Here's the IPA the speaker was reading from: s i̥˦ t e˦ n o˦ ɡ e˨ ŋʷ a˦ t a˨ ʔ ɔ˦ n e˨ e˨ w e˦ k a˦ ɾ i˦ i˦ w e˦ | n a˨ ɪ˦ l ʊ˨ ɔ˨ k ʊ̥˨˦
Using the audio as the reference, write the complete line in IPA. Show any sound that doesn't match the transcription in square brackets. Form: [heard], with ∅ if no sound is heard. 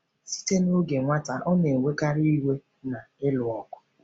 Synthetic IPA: s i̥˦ t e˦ n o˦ ɡ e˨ ŋʷ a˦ t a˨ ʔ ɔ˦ n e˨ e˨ w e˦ k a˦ ɾ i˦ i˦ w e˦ | n a˨ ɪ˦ l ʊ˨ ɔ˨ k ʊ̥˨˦